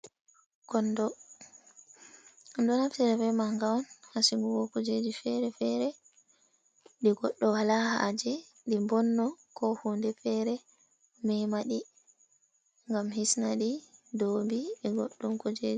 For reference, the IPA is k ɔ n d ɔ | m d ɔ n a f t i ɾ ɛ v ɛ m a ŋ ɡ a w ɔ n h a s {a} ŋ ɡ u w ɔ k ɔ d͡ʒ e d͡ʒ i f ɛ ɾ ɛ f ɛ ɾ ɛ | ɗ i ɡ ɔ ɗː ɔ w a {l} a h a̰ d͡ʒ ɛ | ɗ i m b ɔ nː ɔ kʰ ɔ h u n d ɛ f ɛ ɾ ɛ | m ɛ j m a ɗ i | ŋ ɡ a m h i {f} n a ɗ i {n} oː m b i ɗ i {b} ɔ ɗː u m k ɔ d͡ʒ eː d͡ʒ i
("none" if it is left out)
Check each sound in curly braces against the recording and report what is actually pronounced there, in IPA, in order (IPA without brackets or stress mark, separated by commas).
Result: i, l, s, d, ɡ